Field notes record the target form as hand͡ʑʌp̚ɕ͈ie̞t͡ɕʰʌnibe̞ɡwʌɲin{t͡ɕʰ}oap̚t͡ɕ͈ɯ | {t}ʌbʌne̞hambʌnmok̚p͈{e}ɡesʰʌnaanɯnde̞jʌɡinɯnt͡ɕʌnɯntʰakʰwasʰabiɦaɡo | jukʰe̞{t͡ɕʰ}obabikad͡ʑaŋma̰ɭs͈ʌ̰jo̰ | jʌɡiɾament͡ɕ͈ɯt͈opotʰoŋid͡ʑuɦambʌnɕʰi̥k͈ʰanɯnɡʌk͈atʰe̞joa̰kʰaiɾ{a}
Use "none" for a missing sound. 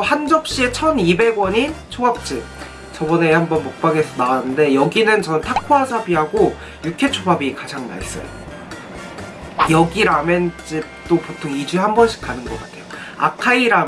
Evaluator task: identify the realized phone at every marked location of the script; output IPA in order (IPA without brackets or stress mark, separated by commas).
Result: t͡ɕʰ, t͡ɕ, a, t͡ɕʰ, a